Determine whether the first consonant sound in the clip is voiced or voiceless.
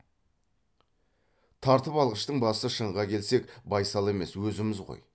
voiceless